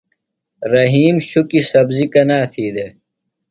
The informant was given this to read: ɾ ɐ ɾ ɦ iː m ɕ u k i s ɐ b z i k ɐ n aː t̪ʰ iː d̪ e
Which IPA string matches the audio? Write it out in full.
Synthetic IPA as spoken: ɾ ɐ ɦ iː m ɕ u k i s ɐ b z i k ɐ n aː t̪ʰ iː d̪ e

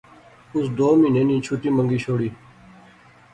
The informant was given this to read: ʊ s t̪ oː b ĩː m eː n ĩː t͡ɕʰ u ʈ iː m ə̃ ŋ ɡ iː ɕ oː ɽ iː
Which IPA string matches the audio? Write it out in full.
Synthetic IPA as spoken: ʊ s d̪ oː m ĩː n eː n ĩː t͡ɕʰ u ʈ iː m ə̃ ŋ ɡ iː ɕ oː ɽ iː

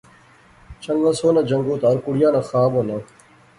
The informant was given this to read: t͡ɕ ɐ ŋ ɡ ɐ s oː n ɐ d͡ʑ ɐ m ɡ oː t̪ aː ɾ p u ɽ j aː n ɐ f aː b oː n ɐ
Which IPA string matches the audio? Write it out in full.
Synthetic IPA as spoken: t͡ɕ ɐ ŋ ɡ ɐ s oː n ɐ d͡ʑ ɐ ŋ ɡ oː t̪ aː ɾ k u ɽ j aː n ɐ x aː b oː n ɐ

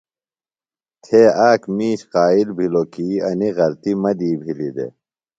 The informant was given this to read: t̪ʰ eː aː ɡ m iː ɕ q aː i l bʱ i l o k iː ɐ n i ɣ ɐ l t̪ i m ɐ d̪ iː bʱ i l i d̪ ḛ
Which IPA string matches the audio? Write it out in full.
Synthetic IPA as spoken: t̪ʰ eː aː k m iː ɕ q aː i l bʱ i l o k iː ɐ n i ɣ ɐ l t̪ i m ɐ d̪ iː bʱ i l i d̪ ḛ

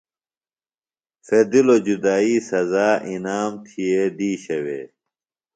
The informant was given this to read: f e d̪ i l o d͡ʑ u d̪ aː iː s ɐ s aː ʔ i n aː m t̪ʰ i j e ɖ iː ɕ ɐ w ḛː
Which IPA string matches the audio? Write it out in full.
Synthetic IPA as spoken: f e d̪ i l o d͡ʑ u d̪ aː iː s ɐ z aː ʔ i n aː m t̪ʰ i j e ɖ iː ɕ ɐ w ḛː

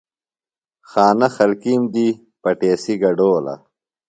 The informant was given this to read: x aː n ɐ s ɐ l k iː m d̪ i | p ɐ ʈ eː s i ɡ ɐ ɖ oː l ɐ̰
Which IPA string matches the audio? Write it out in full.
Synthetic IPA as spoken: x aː n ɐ x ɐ l k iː m d̪ i | p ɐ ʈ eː s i ɡ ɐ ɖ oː l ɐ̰

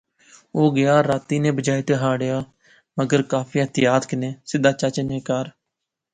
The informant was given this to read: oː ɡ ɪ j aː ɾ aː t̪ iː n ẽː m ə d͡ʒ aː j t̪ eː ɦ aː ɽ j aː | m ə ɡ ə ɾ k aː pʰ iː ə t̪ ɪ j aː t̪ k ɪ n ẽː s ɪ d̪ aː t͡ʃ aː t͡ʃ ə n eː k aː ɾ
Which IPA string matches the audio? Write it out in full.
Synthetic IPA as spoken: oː ɡ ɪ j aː ɾ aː t̪ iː n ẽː b ə d͡ʒ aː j t̪ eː ɦ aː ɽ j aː | m ə ɡ ə ɾ k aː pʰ iː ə t̪ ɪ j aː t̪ k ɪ n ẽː s ɪ d̪ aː t͡ʃ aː t͡ʃ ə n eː k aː ɾ

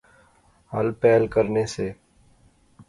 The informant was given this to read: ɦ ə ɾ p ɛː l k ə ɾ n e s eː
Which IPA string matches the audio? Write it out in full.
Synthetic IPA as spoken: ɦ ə l p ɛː l k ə ɾ n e s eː

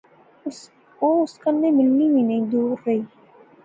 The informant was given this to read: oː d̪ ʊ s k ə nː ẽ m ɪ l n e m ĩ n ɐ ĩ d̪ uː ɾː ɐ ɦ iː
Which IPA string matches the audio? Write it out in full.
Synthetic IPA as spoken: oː ʊ s k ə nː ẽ m ɪ l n i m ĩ n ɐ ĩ d̪ uː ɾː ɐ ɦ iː

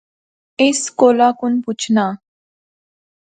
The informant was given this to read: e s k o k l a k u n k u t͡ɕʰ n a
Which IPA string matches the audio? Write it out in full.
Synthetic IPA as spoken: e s k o l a k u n p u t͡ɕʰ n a

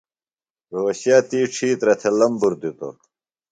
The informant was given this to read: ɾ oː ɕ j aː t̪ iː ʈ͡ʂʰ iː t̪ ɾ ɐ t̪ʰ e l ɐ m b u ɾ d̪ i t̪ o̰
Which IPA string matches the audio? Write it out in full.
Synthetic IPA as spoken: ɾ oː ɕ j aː t̪ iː ʈ͡ʂʰ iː t̪ ɾ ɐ t̪ʰ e l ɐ m b u ɾ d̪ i t̪ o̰

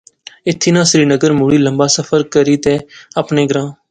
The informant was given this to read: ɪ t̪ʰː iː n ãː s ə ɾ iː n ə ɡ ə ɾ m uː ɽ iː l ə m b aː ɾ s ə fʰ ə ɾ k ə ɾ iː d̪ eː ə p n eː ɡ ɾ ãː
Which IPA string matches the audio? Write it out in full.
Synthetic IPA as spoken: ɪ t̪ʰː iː n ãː s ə ɾ iː n ə ɡ ə ɾ m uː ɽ iː l ə m b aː s ə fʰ ə ɾ k ə ɾ iː t̪ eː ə p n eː ɡ ɾ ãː

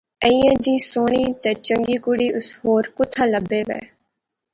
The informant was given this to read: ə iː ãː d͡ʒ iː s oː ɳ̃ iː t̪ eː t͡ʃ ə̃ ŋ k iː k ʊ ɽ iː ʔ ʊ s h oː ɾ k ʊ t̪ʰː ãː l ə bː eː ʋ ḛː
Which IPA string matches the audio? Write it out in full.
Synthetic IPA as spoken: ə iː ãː d͡ʒ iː s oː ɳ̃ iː t̪ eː t͡ʃ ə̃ ŋ ɡ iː k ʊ ɽ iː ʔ ʊ s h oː ɾ k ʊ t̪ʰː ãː l ə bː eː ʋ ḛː

